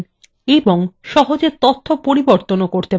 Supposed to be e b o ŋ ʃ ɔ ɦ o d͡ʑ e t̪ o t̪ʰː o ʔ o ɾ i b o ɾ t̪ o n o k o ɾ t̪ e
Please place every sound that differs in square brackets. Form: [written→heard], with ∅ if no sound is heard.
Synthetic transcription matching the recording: e b o ŋ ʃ ɔ ɦ o d͡ʑ e t̪ o t̪ʰː o [ʔ→p] o ɾ i b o ɾ t̪ o n o k o ɾ t̪ e